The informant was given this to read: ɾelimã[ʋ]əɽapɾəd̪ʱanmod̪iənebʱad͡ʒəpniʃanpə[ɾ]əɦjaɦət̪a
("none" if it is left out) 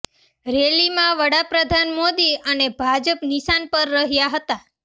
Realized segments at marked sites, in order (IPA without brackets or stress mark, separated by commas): ʋ, ɾː